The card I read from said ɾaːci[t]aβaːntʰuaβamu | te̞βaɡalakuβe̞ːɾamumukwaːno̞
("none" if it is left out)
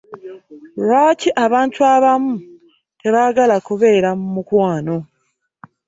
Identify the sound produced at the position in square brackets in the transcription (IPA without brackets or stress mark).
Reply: ʔ